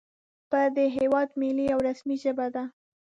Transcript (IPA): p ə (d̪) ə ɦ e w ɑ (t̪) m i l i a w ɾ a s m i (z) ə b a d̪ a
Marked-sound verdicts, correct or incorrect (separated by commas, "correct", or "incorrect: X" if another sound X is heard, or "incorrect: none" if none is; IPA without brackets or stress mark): correct, incorrect: d̪, incorrect: ʒ